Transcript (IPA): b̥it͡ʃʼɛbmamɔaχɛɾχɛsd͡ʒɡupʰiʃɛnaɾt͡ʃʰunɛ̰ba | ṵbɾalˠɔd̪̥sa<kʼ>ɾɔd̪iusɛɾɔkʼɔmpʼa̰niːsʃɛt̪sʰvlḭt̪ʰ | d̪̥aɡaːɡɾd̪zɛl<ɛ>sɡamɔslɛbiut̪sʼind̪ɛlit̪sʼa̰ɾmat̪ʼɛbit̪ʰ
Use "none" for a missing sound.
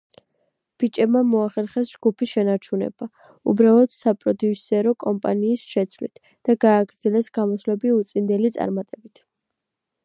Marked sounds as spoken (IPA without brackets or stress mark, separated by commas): pʼ, ɛ